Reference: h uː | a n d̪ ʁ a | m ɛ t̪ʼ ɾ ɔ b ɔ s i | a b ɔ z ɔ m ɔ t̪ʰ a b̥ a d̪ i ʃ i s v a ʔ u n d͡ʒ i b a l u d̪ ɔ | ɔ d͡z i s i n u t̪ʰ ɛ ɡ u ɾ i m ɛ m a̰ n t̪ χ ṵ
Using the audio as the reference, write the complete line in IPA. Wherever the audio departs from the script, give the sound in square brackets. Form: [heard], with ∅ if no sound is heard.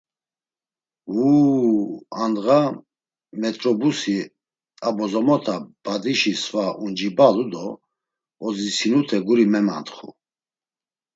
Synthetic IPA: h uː | a n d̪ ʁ a | m ɛ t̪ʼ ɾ ɔ b [u] s i | a b ɔ z ɔ m ɔ t̪ʰ a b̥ a d̪ i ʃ i s v a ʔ u n d͡ʒ i b a l u d̪ ɔ | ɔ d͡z i s i n u t̪ʰ ɛ ɡ u ɾ i m ɛ m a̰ n t̪ χ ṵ